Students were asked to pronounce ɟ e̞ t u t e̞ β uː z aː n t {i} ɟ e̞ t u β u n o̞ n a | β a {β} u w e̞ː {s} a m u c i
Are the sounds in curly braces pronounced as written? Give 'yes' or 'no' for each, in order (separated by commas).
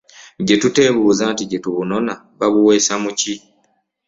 yes, yes, yes